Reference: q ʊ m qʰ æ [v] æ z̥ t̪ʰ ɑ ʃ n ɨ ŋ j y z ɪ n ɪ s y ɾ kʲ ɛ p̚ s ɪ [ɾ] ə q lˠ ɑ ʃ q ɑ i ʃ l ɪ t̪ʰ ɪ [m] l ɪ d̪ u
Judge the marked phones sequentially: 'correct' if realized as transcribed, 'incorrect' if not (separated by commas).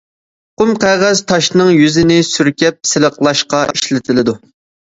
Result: incorrect, incorrect, incorrect